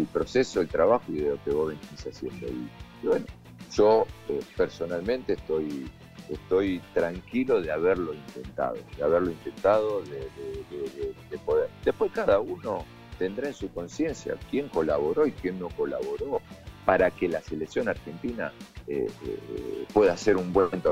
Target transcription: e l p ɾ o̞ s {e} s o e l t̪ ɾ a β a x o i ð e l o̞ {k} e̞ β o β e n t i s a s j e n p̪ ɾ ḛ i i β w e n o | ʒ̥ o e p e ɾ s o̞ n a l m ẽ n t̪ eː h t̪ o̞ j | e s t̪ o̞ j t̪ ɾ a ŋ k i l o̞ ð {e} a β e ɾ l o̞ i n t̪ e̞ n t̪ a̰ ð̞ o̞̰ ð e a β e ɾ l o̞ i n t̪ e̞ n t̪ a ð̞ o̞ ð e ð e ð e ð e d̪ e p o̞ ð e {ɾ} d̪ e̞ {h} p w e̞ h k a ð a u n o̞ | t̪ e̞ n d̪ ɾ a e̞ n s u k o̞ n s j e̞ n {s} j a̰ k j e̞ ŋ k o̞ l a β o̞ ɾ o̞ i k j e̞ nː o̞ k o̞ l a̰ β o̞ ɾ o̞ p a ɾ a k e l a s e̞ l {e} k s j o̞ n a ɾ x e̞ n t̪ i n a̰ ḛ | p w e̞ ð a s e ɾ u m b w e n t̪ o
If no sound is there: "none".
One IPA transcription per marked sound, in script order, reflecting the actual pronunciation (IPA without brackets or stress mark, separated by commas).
e, k, e, ɾ, h, s, e